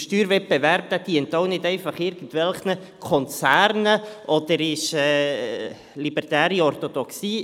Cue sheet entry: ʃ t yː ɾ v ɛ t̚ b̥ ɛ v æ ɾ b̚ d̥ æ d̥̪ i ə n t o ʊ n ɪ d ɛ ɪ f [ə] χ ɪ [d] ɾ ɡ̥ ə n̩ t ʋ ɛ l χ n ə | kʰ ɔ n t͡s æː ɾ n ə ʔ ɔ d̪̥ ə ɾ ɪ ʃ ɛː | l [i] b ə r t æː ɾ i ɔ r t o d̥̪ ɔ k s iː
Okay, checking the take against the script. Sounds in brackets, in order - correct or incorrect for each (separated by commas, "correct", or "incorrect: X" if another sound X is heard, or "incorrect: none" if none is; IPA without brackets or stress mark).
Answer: incorrect: ɑ, incorrect: none, correct